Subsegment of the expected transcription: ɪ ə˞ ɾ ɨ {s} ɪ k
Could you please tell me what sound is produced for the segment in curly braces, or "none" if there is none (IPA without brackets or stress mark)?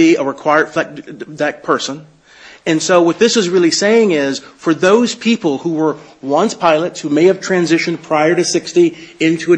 s